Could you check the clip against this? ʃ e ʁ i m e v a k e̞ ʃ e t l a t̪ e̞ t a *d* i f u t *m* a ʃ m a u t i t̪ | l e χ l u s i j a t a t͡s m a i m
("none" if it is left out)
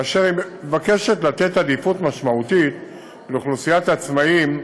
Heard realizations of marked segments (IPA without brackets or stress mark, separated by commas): d, m